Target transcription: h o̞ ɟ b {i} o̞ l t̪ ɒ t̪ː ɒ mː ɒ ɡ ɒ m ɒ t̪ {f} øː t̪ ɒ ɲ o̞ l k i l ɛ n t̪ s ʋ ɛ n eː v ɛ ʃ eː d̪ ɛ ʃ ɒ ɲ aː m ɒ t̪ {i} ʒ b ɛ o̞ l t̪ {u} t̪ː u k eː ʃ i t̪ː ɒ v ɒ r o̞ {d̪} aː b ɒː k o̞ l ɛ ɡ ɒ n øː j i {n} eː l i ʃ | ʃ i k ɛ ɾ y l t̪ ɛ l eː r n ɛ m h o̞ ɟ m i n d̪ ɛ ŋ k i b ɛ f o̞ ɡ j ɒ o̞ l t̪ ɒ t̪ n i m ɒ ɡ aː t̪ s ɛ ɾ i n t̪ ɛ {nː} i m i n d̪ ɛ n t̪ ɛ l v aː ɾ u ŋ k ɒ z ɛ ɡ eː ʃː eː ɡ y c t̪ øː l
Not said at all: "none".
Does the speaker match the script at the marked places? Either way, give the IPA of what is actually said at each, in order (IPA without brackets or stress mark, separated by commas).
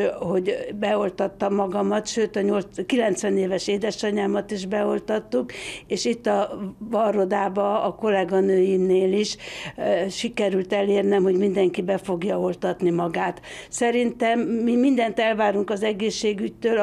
ɛ, ʃ, i, ɒ, d̪, n, mː